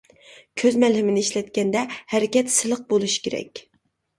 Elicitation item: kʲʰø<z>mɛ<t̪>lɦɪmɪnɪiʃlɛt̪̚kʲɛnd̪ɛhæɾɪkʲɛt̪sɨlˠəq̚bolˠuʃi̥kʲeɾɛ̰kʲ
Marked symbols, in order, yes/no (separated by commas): yes, no